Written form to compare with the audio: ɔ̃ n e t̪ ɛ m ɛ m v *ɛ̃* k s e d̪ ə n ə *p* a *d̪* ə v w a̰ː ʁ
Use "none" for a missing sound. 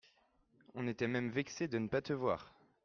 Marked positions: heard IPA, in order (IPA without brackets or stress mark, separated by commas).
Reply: ɛ, p, t̪